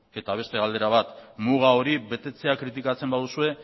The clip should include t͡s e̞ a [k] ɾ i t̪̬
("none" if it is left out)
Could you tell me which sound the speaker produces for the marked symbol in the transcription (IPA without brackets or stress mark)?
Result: k